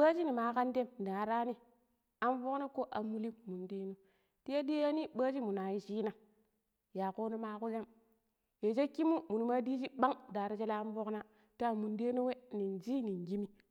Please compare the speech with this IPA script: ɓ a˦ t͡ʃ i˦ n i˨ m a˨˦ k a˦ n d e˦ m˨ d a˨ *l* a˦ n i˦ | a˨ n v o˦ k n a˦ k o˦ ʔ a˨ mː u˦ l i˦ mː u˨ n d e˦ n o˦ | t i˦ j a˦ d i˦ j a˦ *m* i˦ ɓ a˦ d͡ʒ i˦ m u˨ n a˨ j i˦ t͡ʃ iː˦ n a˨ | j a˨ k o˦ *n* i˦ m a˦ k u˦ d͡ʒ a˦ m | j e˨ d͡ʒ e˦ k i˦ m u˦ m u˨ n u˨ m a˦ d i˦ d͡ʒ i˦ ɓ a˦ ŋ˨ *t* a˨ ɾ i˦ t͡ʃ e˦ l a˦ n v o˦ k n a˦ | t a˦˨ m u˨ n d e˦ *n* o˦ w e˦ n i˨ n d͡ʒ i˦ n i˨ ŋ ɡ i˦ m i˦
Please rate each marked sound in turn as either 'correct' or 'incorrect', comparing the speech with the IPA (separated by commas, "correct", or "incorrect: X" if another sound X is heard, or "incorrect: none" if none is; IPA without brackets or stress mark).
incorrect: ɾ, incorrect: n, correct, incorrect: d, correct